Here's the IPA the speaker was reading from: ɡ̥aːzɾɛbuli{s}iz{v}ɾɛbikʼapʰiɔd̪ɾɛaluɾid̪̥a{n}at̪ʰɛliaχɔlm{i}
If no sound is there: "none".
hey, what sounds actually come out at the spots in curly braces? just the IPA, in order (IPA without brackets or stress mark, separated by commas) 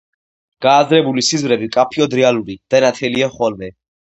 s, v, n, ɛ